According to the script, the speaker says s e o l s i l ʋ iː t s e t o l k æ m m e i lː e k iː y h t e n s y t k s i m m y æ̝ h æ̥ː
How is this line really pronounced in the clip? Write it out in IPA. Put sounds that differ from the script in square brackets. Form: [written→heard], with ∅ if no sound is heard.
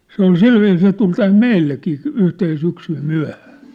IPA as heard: s e o l s i l ʋ iː [t→s] s e t [o→u] l [k→t] æ m m e i lː e k iː y h t e n s y [t→∅] k s [i→y] m m y æ̝ h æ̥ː

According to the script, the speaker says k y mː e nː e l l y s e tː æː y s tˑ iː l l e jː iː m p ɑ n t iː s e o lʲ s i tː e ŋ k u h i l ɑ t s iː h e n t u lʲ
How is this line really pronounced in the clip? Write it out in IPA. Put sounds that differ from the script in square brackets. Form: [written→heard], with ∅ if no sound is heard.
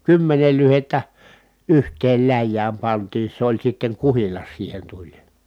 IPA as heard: k y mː e [nː→n] e l l y [s→h] e tː [æː→æ] y [s→h] tˑ [iː→eː] l l [e→æ] jː [iː→æː] m p ɑ n t iː s e o lʲ s i tː e ŋ k u h i l ɑ [t→s] s iː h e n t u lʲ

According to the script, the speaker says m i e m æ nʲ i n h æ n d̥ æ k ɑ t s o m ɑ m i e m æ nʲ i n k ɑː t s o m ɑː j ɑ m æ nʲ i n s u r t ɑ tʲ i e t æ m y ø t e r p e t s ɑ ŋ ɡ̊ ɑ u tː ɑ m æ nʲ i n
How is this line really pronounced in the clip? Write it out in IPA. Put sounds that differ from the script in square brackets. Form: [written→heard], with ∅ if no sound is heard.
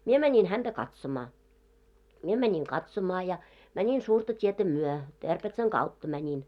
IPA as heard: m i e m æ nʲ i n h æ n d̥ æ k ɑ t s o m ɑ m i e m æ nʲ i [n→ŋ] k [ɑː→ɑ] t s o m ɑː j ɑ m æ nʲ i n s [u→uː] r t ɑ tʲ i e t æ m y ø t e r p e t s ɑ ŋ ɡ̊ ɑ u tː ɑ m æ nʲ i n

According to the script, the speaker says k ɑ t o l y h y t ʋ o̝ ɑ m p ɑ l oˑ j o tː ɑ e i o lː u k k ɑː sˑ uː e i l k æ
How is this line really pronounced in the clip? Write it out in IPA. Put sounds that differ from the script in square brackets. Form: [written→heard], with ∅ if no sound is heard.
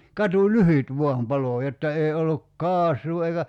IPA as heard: k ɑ t [o→u] l y h y t ʋ o̝ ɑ m p ɑ l oˑ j o tː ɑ e i o lː u k k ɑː sˑ uː e i [l→∅] k æ

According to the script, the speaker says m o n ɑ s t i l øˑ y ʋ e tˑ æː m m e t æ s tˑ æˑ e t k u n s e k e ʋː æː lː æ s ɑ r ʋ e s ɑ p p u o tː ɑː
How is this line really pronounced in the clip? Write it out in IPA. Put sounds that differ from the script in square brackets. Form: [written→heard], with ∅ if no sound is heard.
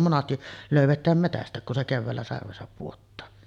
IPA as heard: m o n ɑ s t i l øˑ y ʋ e tˑ æː m m e t æ s tˑ æˑ e [t→k] k u n s e k e ʋː æː lː æ s ɑ r ʋ e s ɑ p p u o tː ɑː

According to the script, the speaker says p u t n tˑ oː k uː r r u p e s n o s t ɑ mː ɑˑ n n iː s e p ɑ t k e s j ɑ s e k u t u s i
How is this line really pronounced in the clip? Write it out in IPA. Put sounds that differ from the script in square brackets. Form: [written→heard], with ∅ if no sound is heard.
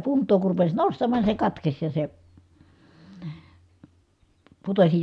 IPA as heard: p u [t→∅] n tˑ oː k [uː→u] r r u p e s n o s t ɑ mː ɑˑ n n [iː→i] s e [p→k] ɑ t k e s j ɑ s e [k→p] u t [u→o] s i

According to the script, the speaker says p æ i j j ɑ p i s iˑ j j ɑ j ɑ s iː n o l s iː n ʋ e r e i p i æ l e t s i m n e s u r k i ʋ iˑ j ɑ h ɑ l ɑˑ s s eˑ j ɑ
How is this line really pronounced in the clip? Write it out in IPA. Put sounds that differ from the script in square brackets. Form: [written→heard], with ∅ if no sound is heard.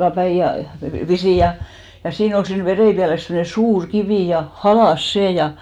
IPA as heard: p æ i j j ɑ p i s iˑ j j ɑ j ɑ s iː n o l s iː n ʋ e r e i p i æ l e [t→s] s [i→e] m n e s [u→uː] r k i ʋ iˑ j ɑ h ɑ l ɑˑ s s eˑ j ɑ

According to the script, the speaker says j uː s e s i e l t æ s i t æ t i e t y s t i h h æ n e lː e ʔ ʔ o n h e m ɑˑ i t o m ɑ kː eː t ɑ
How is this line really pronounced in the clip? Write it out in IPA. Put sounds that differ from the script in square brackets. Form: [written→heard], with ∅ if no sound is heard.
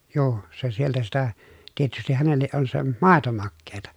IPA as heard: j uː s e s i e l t æ s i t æ t i e t y s t i h h æ n e lː e ʔ ʔ o n [h→s] e m ɑˑ [i→e] t o m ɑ kː eː t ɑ

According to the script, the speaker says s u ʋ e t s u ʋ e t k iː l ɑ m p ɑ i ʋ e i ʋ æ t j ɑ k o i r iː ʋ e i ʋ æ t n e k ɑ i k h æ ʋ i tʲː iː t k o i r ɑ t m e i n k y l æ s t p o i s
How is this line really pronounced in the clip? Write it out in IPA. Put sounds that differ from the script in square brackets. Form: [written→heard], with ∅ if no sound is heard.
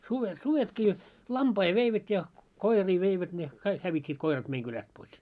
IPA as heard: s u ʋ e t s u ʋ e t k iː l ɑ m p ɑ i ʋ e i ʋ æ t j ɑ k o i r iː ʋ e i ʋ æ t n e k ɑ i k h æ ʋ i tʲː iː t k o i r ɑ t m e i [n→ŋ] k y l æ s t p o i s

